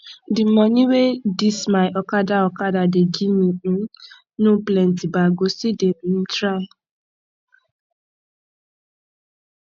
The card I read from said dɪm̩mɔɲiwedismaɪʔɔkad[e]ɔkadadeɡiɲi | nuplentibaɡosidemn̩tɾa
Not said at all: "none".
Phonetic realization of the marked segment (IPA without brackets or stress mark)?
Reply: a